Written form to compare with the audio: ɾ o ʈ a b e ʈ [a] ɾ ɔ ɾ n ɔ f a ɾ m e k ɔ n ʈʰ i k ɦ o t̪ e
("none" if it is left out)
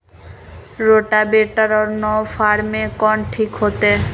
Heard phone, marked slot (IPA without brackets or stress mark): a